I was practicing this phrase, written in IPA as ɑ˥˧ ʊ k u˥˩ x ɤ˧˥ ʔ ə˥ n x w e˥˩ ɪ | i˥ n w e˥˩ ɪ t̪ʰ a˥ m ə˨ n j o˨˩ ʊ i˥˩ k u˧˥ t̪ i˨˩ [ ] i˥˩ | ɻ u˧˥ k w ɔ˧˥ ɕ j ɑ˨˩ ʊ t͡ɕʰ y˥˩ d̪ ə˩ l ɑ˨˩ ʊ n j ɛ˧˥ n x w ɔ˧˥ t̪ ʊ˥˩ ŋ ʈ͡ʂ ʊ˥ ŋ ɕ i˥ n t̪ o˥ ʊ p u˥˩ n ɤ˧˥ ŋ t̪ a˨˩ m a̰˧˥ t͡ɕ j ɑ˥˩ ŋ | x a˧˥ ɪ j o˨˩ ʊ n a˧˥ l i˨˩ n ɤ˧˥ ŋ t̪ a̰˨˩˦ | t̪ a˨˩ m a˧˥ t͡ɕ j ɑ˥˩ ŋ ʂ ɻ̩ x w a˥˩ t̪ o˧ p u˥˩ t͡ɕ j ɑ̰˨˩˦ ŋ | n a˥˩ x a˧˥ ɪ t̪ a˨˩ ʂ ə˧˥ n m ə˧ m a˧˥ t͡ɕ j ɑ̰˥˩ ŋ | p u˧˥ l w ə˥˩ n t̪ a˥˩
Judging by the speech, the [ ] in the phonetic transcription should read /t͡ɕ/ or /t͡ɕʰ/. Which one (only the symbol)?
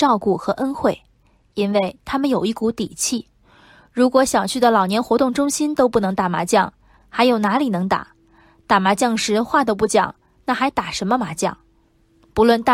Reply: t͡ɕʰ